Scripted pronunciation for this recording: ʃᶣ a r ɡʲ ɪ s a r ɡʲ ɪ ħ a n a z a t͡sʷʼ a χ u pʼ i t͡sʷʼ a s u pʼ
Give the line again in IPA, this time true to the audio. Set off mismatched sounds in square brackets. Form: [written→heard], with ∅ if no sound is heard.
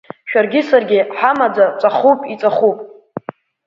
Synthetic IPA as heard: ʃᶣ a r ɡʲ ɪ s a r ɡʲ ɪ ħ a [n→m] a [z→d͡z] a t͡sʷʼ a χ u pʼ i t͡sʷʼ a [s→χ] u pʼ